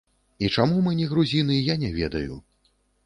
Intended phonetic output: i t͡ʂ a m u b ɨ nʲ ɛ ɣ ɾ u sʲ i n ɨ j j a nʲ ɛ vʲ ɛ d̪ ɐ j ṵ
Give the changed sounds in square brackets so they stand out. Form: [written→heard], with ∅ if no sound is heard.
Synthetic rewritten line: i t͡ʂ a m u [b→m] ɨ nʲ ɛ ɣ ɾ u [sʲ→zʲ] i n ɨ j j a nʲ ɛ vʲ ɛ d̪ ɐ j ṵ